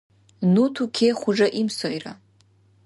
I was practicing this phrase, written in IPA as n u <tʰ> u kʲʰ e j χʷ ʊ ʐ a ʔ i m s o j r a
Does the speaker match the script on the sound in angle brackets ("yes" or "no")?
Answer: yes